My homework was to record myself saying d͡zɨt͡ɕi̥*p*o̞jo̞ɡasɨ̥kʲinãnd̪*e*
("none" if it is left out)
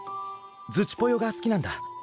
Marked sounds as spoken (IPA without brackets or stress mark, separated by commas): p, a